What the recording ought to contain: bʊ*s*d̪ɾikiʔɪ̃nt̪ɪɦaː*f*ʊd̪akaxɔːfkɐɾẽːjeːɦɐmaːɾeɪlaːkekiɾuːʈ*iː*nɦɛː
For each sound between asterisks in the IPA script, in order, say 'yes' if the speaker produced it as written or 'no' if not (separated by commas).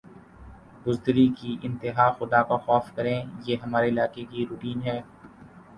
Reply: no, no, yes